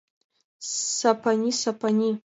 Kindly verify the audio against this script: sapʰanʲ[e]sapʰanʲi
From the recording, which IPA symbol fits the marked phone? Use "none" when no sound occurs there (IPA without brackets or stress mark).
i